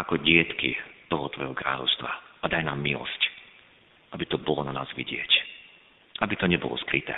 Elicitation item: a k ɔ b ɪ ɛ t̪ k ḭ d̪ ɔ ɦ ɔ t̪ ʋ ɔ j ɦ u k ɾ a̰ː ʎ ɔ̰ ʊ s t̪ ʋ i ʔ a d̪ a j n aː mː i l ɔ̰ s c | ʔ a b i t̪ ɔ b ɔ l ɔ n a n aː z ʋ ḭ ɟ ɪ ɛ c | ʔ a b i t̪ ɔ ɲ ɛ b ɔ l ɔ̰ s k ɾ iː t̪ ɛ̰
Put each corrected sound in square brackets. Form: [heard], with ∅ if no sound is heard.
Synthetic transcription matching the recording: a k ɔ [ɟ] ɪ ɛ t̪ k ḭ [t̪] ɔ ɦ ɔ t̪ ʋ ɔ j ɦ [ɔ] k ɾ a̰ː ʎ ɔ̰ ʊ s t̪ ʋ [a] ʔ a d̪ a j n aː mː i l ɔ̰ s c | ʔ a b i t̪ ɔ b ɔ l ɔ n a n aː z ʋ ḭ ɟ ɪ ɛ c | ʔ a b i t̪ ɔ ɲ ɛ b ɔ l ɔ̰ s k ɾ [i] t̪ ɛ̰